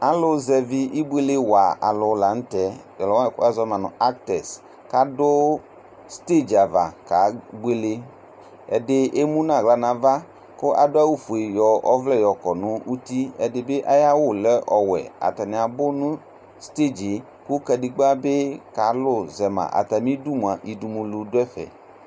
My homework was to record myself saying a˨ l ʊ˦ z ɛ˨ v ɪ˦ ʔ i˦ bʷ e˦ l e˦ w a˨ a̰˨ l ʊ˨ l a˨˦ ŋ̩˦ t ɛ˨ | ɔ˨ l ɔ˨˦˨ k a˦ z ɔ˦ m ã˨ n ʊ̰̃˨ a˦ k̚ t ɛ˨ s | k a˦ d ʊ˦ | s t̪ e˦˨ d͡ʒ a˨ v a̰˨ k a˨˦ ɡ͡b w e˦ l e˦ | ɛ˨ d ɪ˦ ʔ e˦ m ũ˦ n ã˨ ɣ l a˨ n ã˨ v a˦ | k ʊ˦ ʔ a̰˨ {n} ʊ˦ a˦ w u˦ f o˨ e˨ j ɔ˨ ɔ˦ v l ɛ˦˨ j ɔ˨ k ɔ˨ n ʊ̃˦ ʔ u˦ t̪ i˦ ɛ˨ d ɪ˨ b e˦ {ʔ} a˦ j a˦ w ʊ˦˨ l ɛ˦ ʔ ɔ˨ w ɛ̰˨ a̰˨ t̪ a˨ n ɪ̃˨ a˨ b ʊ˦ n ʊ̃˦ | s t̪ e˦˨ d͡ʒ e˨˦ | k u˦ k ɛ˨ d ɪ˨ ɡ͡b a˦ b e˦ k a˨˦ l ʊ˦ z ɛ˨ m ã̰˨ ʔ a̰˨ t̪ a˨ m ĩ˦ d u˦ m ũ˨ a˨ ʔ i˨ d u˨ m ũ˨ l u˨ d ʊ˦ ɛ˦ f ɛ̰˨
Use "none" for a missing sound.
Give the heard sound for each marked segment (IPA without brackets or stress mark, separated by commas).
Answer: d, ʔ